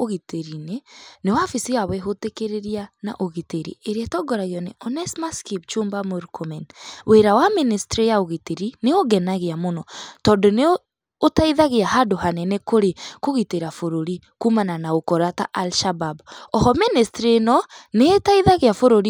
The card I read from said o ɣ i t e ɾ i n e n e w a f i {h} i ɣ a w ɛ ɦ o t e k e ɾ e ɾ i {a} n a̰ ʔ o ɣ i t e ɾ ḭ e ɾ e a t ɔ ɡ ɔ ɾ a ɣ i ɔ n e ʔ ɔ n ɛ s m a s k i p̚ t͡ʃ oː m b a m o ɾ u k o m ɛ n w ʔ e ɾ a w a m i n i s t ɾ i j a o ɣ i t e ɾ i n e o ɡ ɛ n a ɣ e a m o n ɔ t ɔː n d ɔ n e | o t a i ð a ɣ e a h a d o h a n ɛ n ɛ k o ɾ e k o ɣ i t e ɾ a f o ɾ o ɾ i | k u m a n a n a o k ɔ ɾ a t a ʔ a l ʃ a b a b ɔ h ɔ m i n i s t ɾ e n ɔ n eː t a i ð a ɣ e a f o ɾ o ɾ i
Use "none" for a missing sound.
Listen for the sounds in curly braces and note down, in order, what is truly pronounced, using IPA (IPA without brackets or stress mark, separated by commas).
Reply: s, a